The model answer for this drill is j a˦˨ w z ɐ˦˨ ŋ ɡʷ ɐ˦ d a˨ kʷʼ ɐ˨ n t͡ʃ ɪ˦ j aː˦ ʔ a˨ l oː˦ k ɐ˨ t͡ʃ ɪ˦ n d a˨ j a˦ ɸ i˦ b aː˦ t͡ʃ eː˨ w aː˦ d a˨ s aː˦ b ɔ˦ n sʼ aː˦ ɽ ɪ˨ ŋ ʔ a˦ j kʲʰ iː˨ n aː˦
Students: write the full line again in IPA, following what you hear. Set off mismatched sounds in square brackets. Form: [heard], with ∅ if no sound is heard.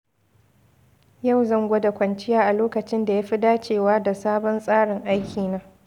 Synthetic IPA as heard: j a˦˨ w z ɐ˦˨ ŋ ɡʷ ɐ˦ d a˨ [kʷ] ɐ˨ n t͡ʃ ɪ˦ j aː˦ ʔ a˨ l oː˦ k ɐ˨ t͡ʃ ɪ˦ n d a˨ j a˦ ɸ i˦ [d] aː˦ t͡ʃ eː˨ w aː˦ d a˨ s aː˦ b ɔ˦ n sʼ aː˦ ɽ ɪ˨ ŋ ʔ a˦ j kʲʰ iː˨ n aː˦